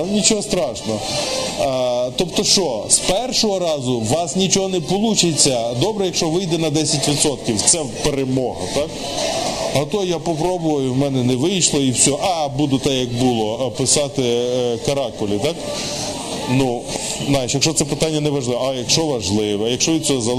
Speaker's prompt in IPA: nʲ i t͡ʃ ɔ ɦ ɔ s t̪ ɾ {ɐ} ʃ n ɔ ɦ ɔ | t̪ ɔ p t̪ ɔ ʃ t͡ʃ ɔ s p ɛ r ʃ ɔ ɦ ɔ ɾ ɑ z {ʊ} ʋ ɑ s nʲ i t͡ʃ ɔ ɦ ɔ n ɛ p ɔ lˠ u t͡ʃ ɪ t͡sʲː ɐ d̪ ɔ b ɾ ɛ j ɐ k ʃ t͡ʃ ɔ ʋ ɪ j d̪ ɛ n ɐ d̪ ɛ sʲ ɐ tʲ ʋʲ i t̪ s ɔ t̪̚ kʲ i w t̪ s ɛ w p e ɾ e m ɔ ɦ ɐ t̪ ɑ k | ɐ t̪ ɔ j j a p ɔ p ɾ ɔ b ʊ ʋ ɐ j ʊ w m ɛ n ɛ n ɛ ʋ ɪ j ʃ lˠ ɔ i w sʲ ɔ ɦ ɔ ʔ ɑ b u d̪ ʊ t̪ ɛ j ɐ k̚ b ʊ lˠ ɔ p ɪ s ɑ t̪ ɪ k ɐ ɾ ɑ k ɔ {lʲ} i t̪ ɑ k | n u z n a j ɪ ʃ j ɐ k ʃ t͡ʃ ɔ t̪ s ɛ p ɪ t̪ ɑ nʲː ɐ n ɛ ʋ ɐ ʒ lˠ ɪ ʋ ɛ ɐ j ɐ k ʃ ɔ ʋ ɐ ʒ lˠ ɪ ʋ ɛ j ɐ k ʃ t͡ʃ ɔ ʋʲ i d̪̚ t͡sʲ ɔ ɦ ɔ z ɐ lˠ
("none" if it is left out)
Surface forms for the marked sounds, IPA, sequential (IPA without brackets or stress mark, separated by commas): ɑ, ʊ, lʲ